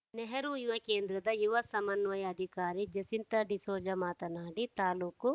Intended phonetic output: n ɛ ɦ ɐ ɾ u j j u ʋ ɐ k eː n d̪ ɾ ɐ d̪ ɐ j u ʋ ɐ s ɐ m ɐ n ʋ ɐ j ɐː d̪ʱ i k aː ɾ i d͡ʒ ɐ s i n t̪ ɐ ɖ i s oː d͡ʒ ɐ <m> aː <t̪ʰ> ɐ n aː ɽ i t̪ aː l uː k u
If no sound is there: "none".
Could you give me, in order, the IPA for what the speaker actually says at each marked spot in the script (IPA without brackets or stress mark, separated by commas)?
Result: m, t̪